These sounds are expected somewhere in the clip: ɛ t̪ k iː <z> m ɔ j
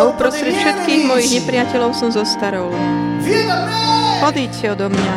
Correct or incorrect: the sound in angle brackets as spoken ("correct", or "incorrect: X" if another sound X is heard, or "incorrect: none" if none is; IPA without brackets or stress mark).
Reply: incorrect: ɣ